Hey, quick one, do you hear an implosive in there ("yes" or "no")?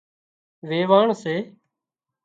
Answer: no